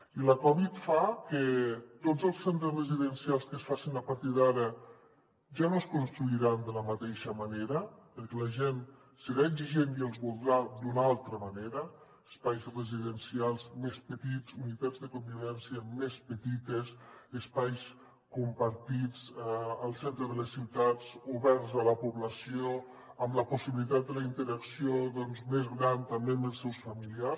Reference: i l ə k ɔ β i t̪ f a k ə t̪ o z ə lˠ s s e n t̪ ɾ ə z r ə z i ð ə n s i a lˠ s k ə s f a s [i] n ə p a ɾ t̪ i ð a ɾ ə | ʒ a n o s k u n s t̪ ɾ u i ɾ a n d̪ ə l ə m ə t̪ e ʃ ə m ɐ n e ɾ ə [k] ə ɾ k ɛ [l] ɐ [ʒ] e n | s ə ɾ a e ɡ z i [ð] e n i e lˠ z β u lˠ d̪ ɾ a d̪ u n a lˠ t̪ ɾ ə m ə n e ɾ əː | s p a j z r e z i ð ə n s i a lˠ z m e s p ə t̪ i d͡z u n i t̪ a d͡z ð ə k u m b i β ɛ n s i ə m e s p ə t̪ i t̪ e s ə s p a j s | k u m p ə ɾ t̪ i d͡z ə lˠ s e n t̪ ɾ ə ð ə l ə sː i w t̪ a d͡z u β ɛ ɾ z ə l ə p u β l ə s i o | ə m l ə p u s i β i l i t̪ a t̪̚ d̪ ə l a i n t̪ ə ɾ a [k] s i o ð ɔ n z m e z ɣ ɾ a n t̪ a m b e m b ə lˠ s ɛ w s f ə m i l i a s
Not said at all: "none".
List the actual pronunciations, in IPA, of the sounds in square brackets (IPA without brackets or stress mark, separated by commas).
i, p, l, ʒ, ʒ, k